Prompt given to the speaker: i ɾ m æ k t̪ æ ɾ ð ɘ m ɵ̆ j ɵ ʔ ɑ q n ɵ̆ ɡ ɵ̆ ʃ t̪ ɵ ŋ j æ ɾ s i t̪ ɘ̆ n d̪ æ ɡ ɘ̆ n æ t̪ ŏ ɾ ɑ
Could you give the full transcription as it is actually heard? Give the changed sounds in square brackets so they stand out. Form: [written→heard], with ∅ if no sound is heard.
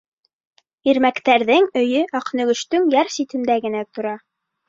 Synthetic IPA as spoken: i ɾ m æ k t̪ æ ɾ ð ɘ [m→ŋ] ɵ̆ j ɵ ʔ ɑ q n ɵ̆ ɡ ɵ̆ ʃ t̪ ɵ ŋ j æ ɾ s i t̪ ɘ̆ n d̪ æ ɡ ɘ̆ n æ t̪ ŏ ɾ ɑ